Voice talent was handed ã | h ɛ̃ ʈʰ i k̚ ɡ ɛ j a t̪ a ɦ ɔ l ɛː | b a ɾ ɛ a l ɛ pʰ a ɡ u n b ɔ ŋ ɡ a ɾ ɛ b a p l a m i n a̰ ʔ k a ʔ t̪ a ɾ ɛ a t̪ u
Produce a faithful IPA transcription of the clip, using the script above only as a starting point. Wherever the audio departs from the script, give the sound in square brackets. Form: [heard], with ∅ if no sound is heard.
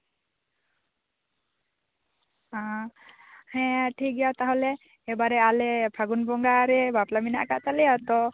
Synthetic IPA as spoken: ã | h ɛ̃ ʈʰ i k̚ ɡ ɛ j a t̪ a ɦ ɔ l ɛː | b a ɾ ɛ a l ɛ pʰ a ɡ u n b ɔ ŋ ɡ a ɾ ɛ b a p l a m i n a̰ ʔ k a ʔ t̪ a [l] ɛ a t̪ [ɔ]

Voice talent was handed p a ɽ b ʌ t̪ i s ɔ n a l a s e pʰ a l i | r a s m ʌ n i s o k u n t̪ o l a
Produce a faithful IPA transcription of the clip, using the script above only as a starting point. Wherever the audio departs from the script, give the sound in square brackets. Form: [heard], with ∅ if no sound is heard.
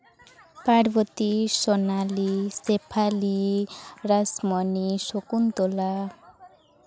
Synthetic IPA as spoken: p a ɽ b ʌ t̪ i s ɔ n a l [i] s e pʰ a l i | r a s m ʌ n i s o k u n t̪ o l a

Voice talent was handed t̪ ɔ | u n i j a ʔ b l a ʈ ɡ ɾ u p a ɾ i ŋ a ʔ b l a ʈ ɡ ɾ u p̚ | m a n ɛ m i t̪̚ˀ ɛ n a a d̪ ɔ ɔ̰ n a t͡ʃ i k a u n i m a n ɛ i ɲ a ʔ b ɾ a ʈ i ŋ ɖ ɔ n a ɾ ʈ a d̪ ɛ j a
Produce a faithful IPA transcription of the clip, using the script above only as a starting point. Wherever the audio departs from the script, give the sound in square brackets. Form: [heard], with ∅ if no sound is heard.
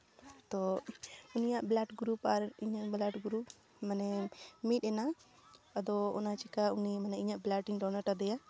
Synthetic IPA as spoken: t̪ ɔ | u n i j a ʔ b l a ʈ ɡ ɾ u p a ɾ i [ɲ] a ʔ b l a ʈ ɡ ɾ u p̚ | m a n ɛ m i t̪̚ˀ ɛ n a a d̪ ɔ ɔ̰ n a t͡ʃ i k a u n i m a n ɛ i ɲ a ʔ b [l] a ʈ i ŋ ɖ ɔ n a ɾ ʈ a d̪ ɛ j a

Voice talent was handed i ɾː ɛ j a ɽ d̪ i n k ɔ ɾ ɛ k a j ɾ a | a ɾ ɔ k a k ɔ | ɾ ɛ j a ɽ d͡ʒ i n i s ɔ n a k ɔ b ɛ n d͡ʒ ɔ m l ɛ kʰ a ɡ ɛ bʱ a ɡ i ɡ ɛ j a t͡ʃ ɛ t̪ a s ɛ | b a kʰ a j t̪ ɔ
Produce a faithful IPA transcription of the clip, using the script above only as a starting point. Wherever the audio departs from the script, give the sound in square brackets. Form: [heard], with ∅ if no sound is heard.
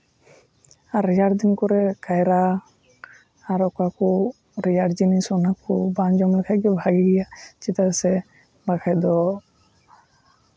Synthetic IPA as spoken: [a] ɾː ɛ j a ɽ d̪ i n k ɔ ɾ ɛ k a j ɾ a | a ɾ ɔ k a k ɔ | ɾ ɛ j a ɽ d͡ʒ i n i s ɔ n a k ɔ b [a] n d͡ʒ ɔ m l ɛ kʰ a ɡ ɛ bʱ a ɡ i ɡ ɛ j a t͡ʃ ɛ t̪ a s ɛ | b a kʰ a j [d̪] ɔ

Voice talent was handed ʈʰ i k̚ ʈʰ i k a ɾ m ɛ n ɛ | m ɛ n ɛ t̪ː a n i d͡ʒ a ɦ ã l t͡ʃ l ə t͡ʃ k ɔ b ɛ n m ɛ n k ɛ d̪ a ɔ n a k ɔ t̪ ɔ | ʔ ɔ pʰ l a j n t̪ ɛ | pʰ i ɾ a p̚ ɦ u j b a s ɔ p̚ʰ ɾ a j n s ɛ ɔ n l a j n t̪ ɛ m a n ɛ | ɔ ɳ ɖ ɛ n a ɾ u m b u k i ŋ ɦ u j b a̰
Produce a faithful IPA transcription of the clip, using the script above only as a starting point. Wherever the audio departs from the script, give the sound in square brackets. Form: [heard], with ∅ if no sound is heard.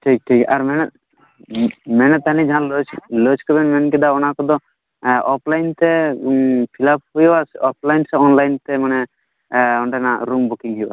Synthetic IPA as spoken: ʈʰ i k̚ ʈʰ i k a ɾ m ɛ n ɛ | m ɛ n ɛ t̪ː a n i d͡ʒ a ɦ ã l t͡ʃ l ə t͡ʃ k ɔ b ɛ n m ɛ n k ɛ d̪ a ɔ n a k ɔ [d̪] ɔ | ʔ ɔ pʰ l a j n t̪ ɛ | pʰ i [l] a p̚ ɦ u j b a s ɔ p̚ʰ [l] a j n s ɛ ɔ n l a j n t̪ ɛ m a n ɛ | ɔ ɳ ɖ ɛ n a ɾ u m b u k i ŋ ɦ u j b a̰

